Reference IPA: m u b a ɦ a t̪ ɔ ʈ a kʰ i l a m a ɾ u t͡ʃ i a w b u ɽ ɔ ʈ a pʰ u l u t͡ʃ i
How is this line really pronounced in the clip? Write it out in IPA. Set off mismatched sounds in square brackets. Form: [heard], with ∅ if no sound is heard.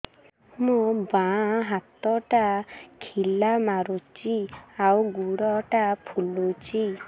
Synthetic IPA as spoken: m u b a ɦ a t̪ ɔ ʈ a kʰ i l a m a ɾ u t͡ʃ i a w [ɡ] u ɽ ɔ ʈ a pʰ u l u t͡ʃ i